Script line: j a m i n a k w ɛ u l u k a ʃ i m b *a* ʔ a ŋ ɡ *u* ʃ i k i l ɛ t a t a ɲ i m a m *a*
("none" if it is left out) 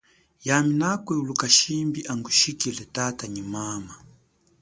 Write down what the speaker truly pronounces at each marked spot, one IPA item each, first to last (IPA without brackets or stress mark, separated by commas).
i, u, a